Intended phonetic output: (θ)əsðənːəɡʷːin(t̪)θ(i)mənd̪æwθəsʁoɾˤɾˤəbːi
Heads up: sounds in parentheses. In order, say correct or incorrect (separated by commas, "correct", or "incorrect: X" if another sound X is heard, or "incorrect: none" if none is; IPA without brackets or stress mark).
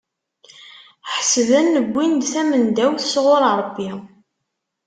incorrect: ħ, incorrect: d̪, incorrect: æ